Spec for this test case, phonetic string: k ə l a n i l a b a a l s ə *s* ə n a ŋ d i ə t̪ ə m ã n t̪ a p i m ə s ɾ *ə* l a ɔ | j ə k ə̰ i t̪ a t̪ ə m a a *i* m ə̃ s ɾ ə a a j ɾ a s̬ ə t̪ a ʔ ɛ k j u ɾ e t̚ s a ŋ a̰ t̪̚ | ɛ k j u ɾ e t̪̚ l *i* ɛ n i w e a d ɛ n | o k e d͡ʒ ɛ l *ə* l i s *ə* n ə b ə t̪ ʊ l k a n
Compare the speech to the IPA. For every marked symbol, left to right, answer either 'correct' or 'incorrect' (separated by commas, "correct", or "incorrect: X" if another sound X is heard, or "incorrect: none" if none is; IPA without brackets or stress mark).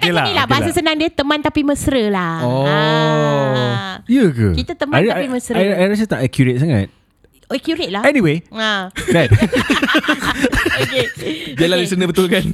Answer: correct, correct, correct, incorrect: a, incorrect: a, correct